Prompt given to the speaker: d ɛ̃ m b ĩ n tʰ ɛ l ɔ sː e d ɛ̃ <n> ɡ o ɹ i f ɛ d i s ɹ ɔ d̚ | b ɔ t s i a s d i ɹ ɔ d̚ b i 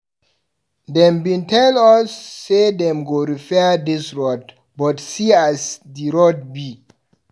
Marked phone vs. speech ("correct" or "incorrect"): incorrect